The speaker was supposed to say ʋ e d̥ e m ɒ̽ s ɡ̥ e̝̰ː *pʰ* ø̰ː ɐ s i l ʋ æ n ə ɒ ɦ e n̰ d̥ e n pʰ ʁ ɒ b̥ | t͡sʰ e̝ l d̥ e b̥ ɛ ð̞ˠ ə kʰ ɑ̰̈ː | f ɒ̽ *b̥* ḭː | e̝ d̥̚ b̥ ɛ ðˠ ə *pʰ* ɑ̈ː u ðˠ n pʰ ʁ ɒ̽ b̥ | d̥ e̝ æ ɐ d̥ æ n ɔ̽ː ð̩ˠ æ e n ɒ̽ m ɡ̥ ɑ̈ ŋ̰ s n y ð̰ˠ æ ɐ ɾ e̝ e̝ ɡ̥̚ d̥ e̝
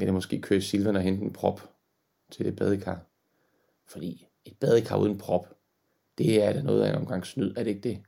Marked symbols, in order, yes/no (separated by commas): no, no, no